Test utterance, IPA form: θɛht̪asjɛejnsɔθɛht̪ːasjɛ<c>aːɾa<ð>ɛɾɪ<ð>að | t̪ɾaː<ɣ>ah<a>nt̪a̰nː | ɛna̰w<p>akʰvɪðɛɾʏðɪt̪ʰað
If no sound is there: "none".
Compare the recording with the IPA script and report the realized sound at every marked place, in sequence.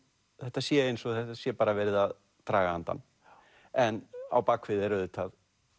p, v, ð, ɣ, a, p

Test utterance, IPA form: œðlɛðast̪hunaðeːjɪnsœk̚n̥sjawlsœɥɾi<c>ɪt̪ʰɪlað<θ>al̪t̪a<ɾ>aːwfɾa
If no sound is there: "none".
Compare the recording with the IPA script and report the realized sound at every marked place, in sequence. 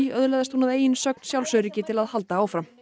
c, h, none

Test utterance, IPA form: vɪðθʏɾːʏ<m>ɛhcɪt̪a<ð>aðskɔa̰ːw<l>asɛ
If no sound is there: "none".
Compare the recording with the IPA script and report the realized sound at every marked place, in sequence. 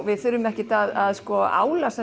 m, ð, l

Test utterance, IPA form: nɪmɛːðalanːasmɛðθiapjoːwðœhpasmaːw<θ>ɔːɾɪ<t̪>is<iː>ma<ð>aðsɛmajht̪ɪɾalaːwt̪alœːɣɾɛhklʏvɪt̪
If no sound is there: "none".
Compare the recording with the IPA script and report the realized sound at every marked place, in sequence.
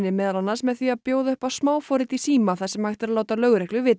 f, t̪, iː, θ

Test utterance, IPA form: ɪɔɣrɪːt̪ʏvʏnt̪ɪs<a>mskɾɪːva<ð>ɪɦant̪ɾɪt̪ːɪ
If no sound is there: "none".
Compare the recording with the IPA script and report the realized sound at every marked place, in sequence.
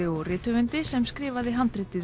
ɛ, ð

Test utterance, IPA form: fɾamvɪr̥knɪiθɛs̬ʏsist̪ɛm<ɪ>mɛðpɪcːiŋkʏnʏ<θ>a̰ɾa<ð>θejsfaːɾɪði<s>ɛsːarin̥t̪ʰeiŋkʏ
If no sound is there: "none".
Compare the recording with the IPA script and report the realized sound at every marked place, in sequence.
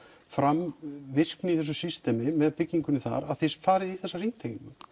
ɪ, θ, ð, θ

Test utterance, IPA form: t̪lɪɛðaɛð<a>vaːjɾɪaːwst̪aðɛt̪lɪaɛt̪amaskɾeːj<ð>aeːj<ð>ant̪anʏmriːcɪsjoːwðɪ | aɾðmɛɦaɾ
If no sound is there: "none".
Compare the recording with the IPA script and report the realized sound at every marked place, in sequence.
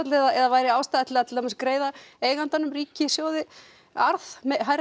a, ð, ɣ

